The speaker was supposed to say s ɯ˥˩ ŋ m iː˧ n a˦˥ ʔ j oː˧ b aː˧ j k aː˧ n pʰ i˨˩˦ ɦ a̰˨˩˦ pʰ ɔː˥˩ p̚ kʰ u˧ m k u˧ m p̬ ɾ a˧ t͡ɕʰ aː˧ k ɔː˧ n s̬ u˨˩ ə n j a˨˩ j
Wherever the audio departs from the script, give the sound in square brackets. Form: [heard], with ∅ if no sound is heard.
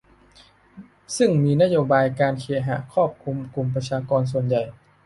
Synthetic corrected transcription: s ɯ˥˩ ŋ m iː˧ n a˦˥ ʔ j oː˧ b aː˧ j k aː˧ n [kʰ] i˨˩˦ ɦ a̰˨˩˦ [kʰ] ɔː˥˩ p̚ kʰ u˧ m k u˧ m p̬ ɾ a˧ t͡ɕʰ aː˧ k ɔː˧ n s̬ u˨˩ ə n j a˨˩ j